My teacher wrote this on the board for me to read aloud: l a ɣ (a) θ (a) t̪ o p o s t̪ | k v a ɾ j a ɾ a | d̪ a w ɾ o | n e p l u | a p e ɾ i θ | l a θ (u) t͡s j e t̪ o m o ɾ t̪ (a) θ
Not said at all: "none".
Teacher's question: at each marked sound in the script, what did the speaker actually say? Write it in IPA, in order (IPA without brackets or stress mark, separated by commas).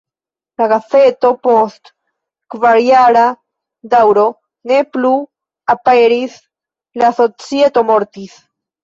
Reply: a, e, o, i